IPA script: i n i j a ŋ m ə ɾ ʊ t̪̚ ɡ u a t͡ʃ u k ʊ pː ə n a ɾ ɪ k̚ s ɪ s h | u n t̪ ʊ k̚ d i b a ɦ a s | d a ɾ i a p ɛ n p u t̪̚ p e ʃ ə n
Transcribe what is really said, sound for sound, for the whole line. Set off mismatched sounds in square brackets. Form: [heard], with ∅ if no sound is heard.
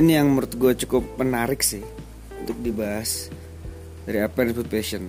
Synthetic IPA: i n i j a ŋ m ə ɾ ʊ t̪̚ ɡ u a t͡ʃ u k ʊ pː ə n a ɾ ɪ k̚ s ɪ [∅] h | u n t̪ ʊ k̚ d i b a ɦ a s | d a ɾ i a p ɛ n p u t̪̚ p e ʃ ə n